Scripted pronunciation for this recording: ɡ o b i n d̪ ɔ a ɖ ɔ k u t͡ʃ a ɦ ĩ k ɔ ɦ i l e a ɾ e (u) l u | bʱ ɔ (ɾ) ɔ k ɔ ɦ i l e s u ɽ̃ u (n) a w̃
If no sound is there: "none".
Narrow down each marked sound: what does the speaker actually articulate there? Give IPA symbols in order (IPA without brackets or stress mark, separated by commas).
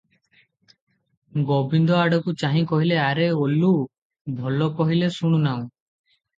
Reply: o, l, n